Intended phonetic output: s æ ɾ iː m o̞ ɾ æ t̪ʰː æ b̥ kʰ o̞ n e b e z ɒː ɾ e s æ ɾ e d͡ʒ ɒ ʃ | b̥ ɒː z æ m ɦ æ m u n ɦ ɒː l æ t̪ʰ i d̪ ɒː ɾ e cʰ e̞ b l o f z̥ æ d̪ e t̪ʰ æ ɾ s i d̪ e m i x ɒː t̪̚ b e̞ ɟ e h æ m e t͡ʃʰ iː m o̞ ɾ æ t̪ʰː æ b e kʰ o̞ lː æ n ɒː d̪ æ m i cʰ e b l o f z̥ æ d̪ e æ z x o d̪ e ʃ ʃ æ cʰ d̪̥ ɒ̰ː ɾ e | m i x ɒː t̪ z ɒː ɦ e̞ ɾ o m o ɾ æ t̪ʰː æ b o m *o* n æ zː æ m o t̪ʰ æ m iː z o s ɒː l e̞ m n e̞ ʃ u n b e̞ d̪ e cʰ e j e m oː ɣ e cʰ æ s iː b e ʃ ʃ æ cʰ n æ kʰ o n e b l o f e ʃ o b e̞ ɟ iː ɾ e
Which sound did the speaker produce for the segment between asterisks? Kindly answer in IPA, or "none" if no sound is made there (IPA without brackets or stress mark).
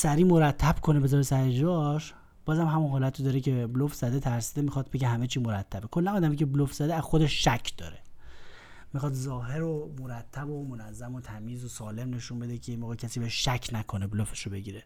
o